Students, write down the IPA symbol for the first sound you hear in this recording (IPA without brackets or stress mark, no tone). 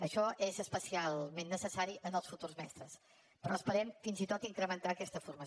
ə